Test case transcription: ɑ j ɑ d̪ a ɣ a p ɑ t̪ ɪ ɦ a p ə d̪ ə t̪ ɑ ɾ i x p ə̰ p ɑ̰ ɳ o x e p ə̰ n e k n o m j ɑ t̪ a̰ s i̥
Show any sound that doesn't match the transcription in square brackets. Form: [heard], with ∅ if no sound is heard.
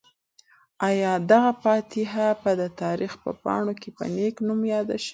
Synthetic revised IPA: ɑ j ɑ d̪ a ɣ a p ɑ t̪ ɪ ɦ a p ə d̪ ə t̪ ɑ ɾ i x p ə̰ p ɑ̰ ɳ o [k] e p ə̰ n e k n [u] m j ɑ [d̪] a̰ [ʃ] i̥